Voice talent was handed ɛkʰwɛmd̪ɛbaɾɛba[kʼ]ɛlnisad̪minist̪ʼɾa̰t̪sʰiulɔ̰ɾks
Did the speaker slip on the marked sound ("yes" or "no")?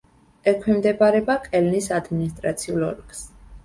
no